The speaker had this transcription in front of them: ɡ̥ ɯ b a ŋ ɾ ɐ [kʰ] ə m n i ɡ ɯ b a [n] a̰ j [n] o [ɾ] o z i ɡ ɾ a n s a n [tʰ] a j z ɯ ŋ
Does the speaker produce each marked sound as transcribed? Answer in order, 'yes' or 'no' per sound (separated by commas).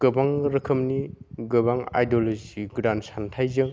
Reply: yes, no, no, no, yes